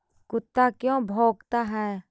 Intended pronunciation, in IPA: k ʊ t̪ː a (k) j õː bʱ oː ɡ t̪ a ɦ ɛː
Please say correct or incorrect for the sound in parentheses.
correct